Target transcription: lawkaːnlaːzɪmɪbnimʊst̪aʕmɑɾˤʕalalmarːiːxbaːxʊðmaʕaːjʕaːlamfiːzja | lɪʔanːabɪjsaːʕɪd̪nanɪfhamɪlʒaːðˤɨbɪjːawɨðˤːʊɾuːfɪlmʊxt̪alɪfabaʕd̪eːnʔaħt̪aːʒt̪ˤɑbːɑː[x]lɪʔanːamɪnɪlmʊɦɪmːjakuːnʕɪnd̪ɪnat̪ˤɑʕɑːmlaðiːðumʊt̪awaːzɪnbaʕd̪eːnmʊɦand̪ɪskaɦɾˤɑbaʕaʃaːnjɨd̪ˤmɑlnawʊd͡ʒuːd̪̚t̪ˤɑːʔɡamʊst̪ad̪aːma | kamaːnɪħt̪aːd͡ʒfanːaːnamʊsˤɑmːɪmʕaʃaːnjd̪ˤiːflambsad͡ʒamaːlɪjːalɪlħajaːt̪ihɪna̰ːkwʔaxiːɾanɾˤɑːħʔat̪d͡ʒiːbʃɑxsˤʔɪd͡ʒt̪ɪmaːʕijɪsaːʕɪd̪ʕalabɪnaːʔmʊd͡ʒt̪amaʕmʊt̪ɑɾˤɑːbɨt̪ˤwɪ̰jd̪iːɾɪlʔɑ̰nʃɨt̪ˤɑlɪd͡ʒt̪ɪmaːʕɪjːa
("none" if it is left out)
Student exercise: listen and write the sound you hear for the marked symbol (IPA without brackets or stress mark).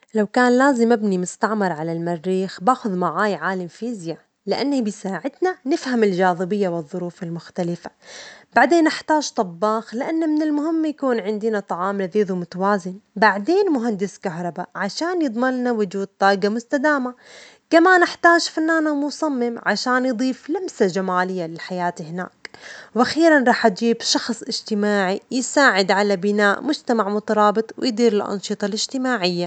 x